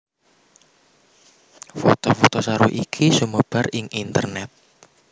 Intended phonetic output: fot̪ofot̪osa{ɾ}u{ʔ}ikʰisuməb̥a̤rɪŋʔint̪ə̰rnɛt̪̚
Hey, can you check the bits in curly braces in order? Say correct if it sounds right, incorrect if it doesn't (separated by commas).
correct, correct